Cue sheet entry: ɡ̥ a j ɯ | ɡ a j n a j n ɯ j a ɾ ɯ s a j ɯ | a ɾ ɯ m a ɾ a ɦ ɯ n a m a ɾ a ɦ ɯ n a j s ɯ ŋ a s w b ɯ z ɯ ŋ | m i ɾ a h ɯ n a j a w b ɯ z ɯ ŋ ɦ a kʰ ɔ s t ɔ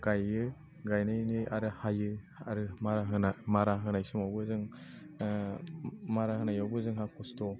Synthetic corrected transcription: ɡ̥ a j ɯ | ɡ a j n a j n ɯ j a ɾ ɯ h a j ɯ | a ɾ ɯ m a ɾ a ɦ ɯ n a m a ɾ a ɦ ɯ n a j s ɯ m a w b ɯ z ɯ ŋ | m a ɾ a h ɯ n a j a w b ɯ z ɯ ŋ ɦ a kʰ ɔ s t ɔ